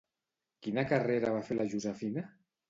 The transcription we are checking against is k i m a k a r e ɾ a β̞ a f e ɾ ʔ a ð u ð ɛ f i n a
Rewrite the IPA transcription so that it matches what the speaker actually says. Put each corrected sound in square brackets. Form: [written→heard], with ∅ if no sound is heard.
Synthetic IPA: k i [m→n] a k a r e ɾ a β̞ a f e [ɾ→l] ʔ a [ð→ʒ] u [ð→z] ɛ f i n a